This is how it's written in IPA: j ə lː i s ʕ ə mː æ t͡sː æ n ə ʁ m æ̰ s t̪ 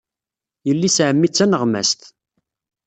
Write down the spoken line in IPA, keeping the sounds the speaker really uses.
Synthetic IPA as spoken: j ə lː i s ʕ ə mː i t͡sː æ n ə ʁ m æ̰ s t̪